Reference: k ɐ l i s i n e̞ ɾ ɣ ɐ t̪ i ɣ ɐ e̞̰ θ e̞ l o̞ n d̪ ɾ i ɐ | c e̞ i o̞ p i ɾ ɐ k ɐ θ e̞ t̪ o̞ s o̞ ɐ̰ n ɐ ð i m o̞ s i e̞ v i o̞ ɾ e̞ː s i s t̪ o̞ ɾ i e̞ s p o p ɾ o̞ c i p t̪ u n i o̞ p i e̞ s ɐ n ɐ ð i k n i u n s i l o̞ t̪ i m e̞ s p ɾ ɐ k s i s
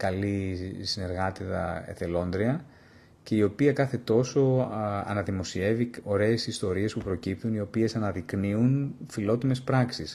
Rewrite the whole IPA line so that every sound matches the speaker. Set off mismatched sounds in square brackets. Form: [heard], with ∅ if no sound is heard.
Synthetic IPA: k ɐ l i s i n e̞ ɾ ɣ ɐ t̪ i [ð] ɐ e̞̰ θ e̞ l o̞ n d̪ ɾ i ɐ | c e̞ i o̞ p i [∅] ɐ k ɐ θ e̞ t̪ o̞ s o̞ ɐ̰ n ɐ ð i m o̞ s i e̞ v i o̞ ɾ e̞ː s i s t̪ o̞ ɾ i e̞ s p [u] p ɾ o̞ c i p t̪ u n i o̞ p i e̞ s ɐ n ɐ ð i k n i u n [f] i l o̞ t̪ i m e̞ s p ɾ ɐ k s i s